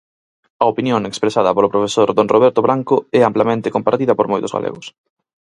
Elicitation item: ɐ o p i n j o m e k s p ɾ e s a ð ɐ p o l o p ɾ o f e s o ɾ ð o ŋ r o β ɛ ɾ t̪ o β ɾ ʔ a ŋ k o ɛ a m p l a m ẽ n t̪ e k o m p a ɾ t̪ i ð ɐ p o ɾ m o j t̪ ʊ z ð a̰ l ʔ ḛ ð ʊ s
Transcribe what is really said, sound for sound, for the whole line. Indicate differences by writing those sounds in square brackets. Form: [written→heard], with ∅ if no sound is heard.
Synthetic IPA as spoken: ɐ o p i n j o [m→ŋ] e k s p ɾ e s a ð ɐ p o l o p ɾ o f e s o ɾ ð o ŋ r o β ɛ ɾ t̪ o β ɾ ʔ a ŋ k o ɛ a m p l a m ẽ n t̪ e k o m p a ɾ t̪ i ð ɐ p o ɾ m o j t̪ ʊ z [ð→ɣ] a̰ l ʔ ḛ [ð→ɣ] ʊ s